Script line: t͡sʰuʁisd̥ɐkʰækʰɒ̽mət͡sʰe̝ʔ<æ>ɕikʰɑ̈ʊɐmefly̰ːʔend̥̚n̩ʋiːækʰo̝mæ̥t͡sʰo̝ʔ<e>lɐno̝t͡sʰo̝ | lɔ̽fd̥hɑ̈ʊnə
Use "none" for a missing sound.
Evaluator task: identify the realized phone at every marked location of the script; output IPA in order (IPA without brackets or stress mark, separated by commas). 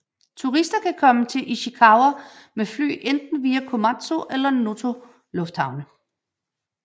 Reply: i, e